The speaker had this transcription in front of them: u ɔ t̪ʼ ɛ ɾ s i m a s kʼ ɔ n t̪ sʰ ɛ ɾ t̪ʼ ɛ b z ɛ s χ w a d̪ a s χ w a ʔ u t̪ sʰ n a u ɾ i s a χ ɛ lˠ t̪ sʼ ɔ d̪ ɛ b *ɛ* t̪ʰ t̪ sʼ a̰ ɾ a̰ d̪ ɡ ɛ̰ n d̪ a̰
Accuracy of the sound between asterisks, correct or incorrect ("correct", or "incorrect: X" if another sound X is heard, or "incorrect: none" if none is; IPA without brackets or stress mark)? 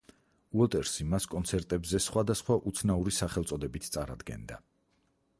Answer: incorrect: i